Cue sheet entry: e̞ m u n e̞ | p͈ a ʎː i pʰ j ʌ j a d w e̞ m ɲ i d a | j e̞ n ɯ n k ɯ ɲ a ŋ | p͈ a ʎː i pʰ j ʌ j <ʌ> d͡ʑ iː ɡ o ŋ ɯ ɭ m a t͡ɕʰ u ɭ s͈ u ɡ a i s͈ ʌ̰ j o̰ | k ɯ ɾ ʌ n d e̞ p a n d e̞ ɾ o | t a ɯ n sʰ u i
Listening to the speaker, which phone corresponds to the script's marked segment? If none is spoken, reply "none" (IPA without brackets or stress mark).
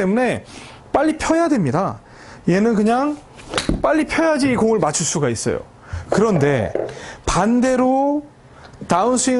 a